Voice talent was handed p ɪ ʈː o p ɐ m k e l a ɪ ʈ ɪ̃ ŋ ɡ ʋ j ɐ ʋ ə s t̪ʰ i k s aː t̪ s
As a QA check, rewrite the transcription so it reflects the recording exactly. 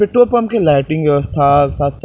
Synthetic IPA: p ɪ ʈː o p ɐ m k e l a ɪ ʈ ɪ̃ ŋ ɡ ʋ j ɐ ʋ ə s t̪ʰ a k s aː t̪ s